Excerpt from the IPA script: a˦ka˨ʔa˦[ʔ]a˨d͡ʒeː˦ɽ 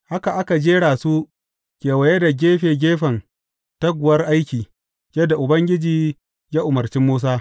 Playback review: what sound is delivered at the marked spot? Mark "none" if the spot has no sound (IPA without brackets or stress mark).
k